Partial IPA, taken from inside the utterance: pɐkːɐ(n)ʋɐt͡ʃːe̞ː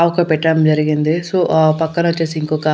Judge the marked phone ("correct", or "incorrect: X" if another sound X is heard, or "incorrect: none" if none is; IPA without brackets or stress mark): correct